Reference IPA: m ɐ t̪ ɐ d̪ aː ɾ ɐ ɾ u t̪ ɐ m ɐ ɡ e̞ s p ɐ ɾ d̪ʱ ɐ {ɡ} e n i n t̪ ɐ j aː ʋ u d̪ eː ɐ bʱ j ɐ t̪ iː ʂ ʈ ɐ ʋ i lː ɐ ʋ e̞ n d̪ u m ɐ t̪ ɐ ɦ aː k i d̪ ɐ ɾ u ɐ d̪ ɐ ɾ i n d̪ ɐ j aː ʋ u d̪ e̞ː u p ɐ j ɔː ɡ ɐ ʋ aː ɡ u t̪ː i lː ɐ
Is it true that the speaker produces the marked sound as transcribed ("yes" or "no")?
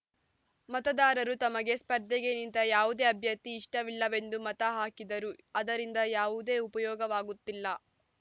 yes